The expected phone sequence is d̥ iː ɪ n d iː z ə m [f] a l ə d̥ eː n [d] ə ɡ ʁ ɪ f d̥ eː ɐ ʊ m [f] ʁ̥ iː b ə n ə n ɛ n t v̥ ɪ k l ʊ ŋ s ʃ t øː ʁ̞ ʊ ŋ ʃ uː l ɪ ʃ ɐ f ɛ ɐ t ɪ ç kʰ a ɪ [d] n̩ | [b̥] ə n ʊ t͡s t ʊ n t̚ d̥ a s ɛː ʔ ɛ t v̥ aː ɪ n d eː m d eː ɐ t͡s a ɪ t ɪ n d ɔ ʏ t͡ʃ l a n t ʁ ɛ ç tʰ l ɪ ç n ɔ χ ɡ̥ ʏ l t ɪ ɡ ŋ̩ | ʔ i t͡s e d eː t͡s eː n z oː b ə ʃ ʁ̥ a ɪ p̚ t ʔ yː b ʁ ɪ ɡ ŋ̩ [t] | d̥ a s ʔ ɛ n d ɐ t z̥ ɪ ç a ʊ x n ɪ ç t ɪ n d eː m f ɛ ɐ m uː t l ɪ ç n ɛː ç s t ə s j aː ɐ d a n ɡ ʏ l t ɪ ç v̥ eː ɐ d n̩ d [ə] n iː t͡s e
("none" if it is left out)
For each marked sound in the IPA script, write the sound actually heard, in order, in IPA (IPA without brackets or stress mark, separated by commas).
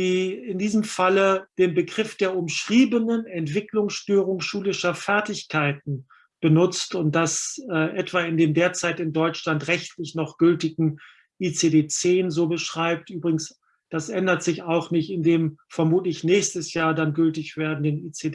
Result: f, b, ʃ, t, b̥, s, ə